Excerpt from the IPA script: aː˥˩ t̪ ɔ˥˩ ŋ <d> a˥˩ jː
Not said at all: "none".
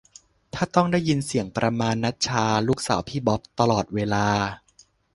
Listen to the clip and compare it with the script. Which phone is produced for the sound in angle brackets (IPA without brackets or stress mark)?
d